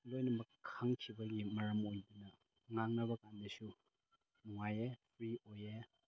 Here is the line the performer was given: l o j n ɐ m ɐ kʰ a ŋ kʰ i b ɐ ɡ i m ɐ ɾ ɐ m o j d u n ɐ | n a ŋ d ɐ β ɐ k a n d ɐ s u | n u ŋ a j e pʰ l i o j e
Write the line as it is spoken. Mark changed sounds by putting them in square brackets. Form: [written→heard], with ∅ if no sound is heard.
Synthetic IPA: l o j n ɐ m ɐ kʰ a ŋ kʰ i b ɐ ɡ i m ɐ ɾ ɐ m o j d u n ɐ | [n→ŋ] a ŋ [d→n] ɐ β ɐ k a n d ɐ s u | n u ŋ a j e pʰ [l→ɾ] i o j e